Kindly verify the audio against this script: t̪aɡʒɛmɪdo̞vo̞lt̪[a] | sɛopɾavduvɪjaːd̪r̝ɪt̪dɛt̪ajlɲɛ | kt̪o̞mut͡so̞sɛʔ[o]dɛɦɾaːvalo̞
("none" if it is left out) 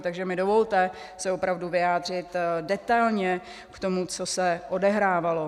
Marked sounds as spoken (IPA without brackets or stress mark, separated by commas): ɛ, o